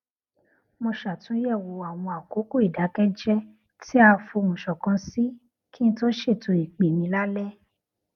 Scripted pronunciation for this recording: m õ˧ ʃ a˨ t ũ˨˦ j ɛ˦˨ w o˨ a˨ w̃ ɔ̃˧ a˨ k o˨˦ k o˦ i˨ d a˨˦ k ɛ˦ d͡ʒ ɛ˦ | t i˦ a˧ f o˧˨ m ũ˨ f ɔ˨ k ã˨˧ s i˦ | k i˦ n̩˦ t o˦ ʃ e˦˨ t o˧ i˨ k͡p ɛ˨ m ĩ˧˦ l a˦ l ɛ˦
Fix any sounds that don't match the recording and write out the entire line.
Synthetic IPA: m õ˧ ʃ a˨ t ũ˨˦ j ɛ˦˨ w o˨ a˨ w̃ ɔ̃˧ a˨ k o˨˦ k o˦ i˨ d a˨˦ k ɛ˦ d͡ʒ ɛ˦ | t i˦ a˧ f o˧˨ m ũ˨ ʃ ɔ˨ k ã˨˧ s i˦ | k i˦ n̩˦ t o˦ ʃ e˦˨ t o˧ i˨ k͡p e˨ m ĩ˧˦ l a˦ l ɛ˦